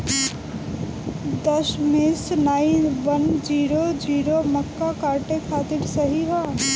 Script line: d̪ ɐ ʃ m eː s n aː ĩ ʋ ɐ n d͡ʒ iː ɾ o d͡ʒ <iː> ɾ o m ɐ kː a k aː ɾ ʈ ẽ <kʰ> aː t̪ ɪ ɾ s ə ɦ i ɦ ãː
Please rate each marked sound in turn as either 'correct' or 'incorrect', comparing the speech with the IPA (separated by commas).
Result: correct, correct